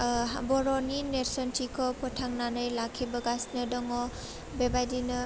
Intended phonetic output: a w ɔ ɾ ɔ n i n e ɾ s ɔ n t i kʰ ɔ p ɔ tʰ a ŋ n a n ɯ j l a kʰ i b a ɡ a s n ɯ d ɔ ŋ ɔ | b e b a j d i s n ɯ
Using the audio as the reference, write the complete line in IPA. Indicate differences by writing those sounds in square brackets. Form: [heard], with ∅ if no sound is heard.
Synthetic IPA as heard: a [b] ɔ ɾ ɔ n i n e ɾ s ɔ n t i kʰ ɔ p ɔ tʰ a ŋ n a n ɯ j l a kʰ i b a ɡ a s n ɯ d ɔ ŋ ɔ | b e b a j d i [∅] n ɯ